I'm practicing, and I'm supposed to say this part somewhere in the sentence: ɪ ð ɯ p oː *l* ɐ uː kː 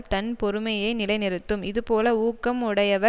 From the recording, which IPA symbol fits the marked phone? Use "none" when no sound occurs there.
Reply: l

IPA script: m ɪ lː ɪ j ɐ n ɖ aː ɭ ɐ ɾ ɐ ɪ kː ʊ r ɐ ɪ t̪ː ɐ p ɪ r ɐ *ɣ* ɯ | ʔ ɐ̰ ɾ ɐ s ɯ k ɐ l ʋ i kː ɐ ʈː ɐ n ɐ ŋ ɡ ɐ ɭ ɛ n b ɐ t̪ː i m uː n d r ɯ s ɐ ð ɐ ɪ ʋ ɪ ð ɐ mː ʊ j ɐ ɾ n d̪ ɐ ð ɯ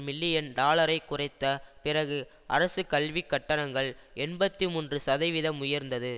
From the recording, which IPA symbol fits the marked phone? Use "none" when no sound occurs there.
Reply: ɣ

